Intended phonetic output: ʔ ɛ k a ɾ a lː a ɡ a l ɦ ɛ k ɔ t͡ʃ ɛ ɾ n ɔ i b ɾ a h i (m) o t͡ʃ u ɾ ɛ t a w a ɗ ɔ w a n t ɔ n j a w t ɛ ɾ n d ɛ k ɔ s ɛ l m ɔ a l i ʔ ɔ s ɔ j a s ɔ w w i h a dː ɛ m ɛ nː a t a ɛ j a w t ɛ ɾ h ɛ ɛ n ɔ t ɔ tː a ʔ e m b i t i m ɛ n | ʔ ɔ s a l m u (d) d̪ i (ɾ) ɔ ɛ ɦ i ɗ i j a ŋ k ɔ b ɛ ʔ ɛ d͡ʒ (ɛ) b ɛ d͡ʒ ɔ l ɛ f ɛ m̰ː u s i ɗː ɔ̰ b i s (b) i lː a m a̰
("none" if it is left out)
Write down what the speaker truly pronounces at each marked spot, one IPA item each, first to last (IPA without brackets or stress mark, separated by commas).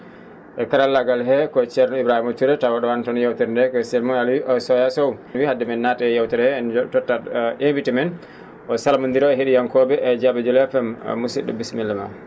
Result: m, n, ɾ, a, m